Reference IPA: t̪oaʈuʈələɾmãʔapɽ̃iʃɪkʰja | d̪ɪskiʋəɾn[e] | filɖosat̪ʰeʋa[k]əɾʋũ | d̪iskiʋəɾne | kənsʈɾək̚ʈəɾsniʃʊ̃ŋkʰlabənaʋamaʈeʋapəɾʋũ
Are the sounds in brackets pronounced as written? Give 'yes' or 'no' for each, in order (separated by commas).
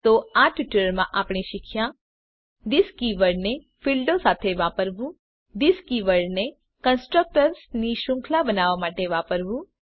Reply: yes, no